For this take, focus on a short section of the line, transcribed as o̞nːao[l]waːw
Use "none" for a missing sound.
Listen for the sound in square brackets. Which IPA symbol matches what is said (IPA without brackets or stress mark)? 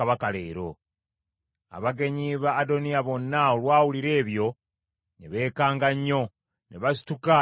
l